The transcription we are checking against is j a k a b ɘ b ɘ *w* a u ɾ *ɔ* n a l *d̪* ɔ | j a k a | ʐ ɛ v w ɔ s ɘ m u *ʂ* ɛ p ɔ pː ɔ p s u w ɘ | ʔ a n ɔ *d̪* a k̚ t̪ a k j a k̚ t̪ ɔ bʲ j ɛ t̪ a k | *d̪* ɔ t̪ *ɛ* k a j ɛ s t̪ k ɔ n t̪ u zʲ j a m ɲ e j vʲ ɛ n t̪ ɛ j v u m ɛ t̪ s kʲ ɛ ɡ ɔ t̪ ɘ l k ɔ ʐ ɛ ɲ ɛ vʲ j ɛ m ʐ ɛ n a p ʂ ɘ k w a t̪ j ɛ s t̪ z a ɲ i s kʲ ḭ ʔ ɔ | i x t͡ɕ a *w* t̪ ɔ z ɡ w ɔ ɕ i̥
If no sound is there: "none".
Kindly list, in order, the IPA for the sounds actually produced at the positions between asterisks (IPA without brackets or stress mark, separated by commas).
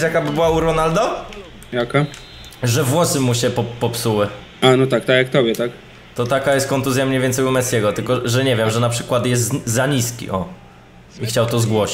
w, ɔ, d̪, ɕ, t̪, t̪, a, w